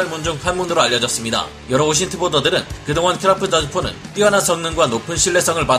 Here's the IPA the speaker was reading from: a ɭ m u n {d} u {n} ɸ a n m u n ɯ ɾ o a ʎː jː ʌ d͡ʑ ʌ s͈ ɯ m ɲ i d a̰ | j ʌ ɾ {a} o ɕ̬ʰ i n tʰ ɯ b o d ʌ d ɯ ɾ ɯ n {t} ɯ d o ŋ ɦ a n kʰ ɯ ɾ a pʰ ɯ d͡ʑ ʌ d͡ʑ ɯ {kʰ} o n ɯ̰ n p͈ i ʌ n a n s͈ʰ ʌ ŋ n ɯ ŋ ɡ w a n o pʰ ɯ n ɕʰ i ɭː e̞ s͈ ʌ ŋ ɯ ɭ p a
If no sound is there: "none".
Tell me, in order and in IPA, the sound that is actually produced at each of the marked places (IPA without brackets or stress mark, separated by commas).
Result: d͡ʑ, ŋ, ʌ, k, pʰ